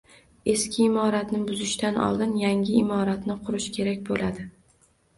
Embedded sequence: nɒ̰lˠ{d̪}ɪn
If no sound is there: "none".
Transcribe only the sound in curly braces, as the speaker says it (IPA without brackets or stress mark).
d̪